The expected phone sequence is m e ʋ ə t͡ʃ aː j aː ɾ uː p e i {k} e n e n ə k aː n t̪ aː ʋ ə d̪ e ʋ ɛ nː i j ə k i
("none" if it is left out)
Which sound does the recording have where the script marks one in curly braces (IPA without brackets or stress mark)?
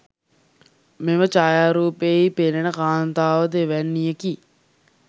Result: p